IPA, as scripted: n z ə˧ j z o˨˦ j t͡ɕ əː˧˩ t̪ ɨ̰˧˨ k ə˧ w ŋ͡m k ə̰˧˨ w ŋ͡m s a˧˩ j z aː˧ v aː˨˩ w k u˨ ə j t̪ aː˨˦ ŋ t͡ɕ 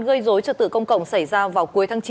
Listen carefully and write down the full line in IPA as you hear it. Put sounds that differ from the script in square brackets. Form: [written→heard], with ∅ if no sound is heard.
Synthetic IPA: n [z→ɣ] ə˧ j z o˨˦ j t͡ɕ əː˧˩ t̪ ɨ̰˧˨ k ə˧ w ŋ͡m k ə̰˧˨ w ŋ͡m s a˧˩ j z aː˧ v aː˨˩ w k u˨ ə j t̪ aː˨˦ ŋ t͡ɕ